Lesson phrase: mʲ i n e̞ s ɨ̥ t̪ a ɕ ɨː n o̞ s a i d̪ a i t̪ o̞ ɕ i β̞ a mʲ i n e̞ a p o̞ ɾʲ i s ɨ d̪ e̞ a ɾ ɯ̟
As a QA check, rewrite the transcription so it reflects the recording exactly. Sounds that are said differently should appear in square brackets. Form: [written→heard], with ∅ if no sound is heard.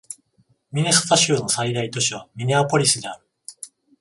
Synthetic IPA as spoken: mʲ i n e̞ s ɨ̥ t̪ a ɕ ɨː n o̞ s a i d̪ a i t̪ o̞ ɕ i β̞ a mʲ i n e̞ a p o̞ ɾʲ i s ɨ d̪ e̞ a ɾ ɯ̟